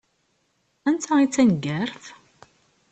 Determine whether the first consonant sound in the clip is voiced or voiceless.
voiced